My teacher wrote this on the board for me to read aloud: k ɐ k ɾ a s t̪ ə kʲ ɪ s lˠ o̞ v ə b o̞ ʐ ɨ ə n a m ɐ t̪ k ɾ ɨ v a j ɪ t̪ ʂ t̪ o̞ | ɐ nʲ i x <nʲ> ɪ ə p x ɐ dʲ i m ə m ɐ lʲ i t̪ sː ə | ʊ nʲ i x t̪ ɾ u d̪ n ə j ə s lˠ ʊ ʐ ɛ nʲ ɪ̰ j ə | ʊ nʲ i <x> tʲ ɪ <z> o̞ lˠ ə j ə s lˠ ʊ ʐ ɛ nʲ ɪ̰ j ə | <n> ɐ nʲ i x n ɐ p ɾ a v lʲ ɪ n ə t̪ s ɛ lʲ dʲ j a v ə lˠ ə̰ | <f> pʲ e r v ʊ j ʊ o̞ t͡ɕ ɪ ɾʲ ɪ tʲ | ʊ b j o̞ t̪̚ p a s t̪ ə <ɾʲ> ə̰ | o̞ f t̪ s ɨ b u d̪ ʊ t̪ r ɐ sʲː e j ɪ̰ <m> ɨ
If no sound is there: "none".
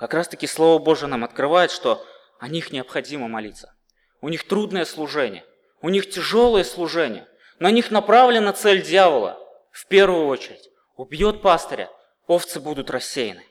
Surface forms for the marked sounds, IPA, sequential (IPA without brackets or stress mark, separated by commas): nʲ, x, ʐ, n, f, ɾʲ, n